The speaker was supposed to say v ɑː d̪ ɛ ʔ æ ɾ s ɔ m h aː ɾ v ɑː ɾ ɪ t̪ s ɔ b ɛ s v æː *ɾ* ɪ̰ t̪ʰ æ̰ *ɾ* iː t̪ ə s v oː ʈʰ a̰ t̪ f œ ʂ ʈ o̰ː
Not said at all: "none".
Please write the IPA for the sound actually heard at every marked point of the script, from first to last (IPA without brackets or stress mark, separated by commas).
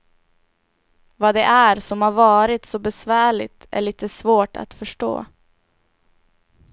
ɭ, ɭ